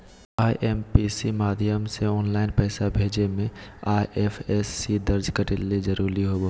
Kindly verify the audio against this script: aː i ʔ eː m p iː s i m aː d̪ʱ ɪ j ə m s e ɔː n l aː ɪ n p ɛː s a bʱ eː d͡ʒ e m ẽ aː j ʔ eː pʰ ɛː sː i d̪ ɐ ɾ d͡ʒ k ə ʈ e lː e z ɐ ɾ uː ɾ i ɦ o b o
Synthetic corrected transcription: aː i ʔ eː m p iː s i m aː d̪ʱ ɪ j ə m s e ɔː n l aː ɪ n p ɛː s a bʱ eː d͡ʒ e m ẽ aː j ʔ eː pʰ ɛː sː i d̪ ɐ ɾ d͡ʒ k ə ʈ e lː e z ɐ ɾ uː ɾ i ɦ o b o

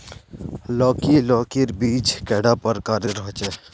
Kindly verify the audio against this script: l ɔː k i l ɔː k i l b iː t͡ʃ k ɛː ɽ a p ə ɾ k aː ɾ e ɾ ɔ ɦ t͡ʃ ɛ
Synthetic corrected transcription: l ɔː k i l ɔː k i ɾ b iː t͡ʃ k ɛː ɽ a p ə ɾ k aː ɾ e ɾ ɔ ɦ t͡ʃ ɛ

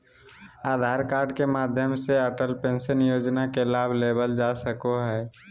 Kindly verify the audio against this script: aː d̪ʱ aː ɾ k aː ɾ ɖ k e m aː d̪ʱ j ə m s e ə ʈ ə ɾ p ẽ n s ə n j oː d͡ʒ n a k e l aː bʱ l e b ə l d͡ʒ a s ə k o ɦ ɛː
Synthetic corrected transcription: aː d̪ʱ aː ɾ k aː ɾ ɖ k e m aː d̪ʱ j ə m s e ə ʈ ə l p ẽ n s ə n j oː d͡ʒ n a k e l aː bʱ l e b ə l d͡ʒ a s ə k o ɦ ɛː

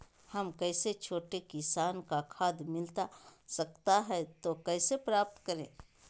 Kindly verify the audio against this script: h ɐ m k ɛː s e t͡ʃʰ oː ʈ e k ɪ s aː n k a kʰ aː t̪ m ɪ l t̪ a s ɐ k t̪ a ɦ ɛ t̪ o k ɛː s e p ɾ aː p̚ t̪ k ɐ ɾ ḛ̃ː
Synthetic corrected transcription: h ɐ m k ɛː s e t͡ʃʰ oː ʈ e k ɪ s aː n k a kʰ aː d̪ m ɪ l t̪ a s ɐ k t̪ a ɦ ɛ t̪ o k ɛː s e p ɾ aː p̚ t̪ k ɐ ɾ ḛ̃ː

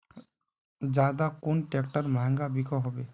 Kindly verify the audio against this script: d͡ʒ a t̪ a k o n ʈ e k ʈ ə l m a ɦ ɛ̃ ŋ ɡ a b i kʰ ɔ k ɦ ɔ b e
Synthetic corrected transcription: d͡ʒ a d̪ a k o n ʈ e k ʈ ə ɾ m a ɦ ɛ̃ ŋ ɡ a b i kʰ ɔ ɦ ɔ b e

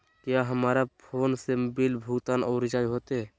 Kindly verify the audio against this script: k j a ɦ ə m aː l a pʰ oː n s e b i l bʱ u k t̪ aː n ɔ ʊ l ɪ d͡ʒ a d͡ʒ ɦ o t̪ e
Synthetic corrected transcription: k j a ɦ ə m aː ɾ a pʰ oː n s e b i l bʱ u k t̪ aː n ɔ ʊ ɾ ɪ d͡ʒ a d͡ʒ ɦ o t̪ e

